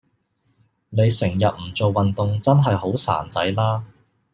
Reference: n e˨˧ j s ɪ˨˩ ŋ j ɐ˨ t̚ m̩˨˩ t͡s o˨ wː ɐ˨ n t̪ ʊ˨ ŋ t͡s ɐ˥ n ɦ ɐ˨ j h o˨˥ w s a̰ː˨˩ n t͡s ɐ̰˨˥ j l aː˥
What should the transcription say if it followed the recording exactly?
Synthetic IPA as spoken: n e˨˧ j s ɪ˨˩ ŋ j ɐ˨ t̚ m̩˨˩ t͡s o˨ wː ɐ˨ n t̪ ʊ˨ ŋ t͡s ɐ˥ n ɦ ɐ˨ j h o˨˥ w s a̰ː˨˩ n t͡s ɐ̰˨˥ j l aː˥